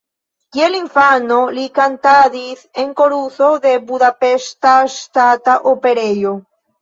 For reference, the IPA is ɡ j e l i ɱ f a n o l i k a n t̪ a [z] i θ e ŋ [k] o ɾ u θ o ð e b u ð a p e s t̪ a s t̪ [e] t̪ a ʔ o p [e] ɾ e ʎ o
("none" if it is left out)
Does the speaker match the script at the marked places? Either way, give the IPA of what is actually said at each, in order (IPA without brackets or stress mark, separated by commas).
ð, k, a, e